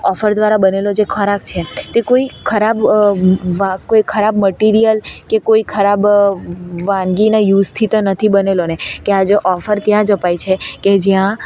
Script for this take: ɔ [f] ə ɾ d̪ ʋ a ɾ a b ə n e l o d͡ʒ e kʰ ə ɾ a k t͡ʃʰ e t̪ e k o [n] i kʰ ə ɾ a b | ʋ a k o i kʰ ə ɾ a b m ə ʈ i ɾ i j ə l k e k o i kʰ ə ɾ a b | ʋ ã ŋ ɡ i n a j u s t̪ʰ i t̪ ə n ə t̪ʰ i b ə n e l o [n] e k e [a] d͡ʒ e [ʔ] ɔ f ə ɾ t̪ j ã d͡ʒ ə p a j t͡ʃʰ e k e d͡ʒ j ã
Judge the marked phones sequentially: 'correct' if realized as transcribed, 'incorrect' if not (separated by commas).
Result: correct, incorrect, correct, correct, correct